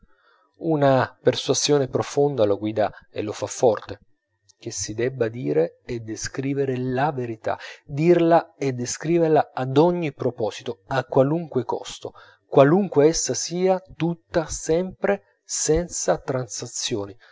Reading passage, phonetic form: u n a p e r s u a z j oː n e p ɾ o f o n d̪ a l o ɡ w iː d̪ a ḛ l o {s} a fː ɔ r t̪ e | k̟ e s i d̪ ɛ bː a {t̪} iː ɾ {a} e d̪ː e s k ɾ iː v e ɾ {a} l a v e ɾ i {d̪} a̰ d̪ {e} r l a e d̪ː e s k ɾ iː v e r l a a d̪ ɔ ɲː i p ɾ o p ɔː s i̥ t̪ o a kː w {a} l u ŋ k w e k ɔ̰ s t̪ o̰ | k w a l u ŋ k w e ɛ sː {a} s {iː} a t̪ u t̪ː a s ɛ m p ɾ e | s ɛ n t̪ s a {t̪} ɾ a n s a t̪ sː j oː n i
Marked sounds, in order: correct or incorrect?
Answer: incorrect, incorrect, incorrect, incorrect, incorrect, incorrect, correct, correct, correct, correct

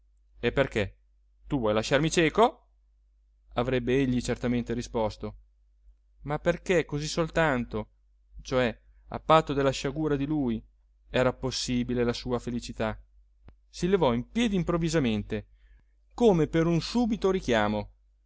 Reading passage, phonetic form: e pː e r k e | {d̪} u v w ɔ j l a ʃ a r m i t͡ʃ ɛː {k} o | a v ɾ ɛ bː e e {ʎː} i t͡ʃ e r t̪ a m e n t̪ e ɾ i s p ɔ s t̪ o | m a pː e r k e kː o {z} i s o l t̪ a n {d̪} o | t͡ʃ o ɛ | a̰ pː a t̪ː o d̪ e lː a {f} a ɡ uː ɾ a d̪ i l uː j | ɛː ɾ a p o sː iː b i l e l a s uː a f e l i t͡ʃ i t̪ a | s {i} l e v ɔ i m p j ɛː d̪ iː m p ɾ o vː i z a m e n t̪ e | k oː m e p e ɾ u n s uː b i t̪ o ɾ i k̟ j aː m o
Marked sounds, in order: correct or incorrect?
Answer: incorrect, correct, correct, correct, incorrect, incorrect, correct

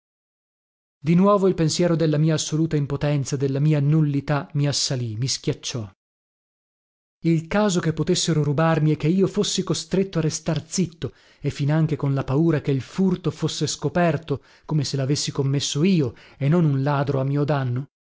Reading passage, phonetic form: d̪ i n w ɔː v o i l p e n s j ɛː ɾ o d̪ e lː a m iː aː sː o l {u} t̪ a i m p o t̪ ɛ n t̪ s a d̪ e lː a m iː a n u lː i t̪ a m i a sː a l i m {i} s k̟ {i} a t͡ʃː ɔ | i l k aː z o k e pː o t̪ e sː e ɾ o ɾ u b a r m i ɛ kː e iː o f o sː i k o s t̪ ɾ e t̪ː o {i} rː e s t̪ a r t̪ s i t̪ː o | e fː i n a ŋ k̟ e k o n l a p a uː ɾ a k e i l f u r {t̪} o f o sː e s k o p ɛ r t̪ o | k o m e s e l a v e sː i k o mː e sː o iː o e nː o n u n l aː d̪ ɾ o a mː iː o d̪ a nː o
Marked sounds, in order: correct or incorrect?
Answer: incorrect, correct, incorrect, incorrect, correct

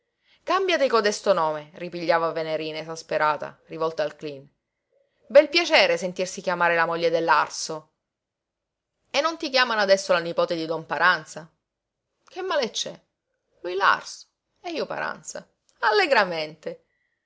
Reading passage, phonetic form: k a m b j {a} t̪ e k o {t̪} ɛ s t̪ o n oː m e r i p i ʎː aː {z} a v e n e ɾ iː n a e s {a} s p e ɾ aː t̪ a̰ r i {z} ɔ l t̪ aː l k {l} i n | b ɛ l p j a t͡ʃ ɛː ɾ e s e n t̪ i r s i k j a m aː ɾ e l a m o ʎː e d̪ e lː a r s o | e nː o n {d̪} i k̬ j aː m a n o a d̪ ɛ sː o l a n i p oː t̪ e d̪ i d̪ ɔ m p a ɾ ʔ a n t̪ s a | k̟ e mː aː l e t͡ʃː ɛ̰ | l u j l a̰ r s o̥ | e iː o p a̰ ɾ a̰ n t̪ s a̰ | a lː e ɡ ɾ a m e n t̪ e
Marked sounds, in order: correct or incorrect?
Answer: correct, incorrect, incorrect, correct, incorrect, correct, incorrect

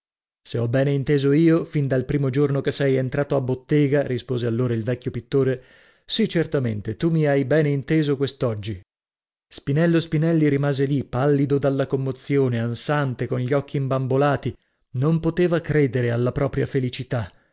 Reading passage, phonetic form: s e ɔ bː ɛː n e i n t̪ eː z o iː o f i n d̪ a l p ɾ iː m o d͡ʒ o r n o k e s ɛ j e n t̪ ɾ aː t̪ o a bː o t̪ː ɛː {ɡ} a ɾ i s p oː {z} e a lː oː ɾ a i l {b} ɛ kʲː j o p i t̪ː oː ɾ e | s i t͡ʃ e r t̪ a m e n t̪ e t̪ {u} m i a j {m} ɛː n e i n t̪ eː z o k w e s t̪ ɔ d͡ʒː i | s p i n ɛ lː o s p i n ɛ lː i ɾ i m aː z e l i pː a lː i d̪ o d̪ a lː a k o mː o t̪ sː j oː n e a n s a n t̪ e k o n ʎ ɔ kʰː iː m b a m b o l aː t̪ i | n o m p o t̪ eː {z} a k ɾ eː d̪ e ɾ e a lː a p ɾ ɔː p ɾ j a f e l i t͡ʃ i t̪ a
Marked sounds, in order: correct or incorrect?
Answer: correct, correct, incorrect, correct, incorrect, incorrect

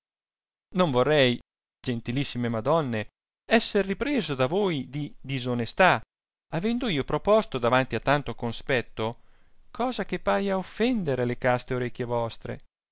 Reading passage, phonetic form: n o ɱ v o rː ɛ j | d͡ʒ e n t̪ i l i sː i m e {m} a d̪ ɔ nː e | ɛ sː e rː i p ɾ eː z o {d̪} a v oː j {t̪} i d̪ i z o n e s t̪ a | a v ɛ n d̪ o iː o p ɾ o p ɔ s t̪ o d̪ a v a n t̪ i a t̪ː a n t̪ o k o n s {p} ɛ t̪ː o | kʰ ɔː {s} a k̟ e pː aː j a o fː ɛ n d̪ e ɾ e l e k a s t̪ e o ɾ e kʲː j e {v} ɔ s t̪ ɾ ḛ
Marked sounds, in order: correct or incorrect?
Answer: correct, correct, incorrect, correct, incorrect, correct

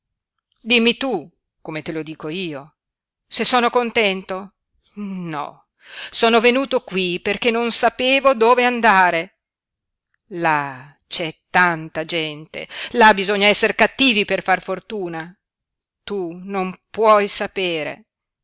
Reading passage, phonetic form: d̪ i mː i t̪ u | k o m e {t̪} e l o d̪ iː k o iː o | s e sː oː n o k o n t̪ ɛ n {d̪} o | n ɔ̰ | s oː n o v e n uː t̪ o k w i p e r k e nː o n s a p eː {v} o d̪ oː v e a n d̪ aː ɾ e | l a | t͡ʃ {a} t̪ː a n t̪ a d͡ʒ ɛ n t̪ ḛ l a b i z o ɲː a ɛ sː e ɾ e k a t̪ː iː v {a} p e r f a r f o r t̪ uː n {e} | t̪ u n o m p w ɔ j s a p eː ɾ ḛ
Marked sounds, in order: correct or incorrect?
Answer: correct, incorrect, correct, incorrect, incorrect, incorrect

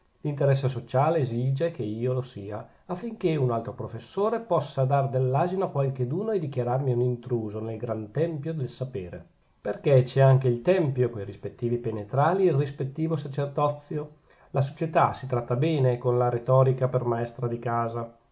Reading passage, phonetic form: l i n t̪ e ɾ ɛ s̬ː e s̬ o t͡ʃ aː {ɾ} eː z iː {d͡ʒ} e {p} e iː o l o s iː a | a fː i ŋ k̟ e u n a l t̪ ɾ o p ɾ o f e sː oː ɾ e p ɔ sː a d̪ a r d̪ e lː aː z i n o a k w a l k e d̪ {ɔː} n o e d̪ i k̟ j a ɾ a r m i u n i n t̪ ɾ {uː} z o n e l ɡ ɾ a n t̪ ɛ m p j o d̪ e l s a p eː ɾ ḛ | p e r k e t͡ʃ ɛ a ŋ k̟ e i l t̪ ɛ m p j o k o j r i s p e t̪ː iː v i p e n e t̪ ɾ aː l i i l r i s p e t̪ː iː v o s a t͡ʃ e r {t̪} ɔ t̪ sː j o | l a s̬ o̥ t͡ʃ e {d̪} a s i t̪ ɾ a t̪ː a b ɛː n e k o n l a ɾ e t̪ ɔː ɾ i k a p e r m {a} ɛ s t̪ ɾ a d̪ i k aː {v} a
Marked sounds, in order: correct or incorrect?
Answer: incorrect, correct, incorrect, incorrect, correct, incorrect, incorrect, correct, incorrect

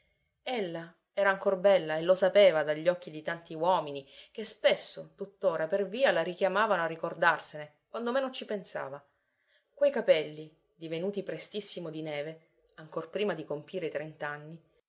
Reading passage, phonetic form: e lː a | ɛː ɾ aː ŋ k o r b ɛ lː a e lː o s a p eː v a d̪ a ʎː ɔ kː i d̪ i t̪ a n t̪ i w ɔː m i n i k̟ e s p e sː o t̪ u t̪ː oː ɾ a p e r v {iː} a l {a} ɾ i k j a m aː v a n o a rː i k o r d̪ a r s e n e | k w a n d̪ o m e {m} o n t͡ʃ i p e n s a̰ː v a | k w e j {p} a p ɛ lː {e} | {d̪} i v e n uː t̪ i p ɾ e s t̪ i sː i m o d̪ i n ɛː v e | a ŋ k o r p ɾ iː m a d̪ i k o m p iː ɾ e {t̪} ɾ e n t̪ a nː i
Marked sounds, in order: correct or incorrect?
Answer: correct, correct, incorrect, incorrect, incorrect, correct, correct

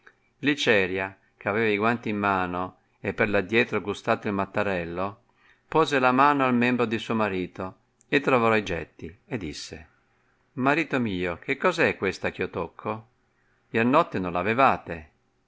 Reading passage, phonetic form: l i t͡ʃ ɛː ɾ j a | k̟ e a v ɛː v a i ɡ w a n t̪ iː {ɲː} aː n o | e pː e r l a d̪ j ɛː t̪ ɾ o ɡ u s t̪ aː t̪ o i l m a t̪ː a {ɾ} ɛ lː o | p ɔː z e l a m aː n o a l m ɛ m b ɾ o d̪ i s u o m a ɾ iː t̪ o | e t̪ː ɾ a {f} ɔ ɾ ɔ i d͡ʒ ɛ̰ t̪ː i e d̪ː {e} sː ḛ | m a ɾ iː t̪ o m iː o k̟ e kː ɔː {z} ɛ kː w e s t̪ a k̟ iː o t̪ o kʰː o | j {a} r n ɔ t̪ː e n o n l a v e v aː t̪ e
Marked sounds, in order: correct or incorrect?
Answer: incorrect, correct, incorrect, incorrect, correct, incorrect

